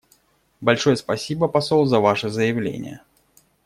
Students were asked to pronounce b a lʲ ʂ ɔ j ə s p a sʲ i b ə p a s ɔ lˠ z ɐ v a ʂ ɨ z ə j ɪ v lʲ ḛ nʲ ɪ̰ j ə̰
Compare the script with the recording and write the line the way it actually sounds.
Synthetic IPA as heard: b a lʲ ʂ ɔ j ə s p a sʲ i b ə p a s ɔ lˠ z ɐ v a ʂ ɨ z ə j ɪ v lʲ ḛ nʲ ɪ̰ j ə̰